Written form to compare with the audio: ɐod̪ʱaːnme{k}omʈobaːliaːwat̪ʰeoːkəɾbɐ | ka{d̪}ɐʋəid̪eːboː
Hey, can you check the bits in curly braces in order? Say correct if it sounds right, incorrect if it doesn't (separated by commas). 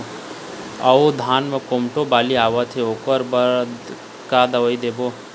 correct, correct